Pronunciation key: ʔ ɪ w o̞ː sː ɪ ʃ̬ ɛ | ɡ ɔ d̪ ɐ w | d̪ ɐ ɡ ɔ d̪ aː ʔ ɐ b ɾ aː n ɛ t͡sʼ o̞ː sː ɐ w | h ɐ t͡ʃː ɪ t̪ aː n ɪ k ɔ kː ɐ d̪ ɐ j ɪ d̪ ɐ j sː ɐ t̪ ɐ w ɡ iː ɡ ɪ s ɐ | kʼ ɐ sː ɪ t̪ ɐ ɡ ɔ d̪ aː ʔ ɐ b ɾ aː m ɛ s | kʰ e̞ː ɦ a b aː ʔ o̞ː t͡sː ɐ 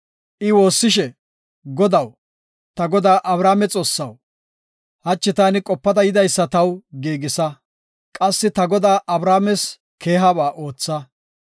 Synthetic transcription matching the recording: ʔ ɪ w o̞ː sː ɪ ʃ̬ ɛ | ɡ ɔ d̪ ɐ w | t̪ ɐ ɡ ɔ d̪ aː ʔ ɐ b ɾ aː m ɛ t͡sʼ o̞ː sː ɐ w | h ɐ t͡ʃː ɪ t̪ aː n ɪ kʼ ɔ pː ɐ d̪ ɐ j ɪ d̪ ɐ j sː ɐ t̪ ɐ w ɡ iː ɡ ɪ s ɐ | kʼ ɐ sː ɪ t̪ ɐ ɡ ɔ d̪ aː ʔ ɐ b ɾ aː m ɛ s | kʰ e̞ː ɦ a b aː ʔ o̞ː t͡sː ɐ